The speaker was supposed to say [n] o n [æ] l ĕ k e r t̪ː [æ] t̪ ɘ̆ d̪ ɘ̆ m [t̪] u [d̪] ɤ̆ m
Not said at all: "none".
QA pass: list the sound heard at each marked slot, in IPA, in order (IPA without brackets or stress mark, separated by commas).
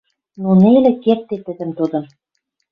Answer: n, e, e, t̪, d̪